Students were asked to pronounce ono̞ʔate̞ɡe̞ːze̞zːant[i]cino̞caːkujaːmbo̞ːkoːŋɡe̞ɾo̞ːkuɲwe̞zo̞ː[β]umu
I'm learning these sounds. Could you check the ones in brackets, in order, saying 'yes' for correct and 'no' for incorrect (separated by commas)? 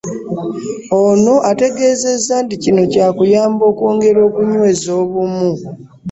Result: yes, yes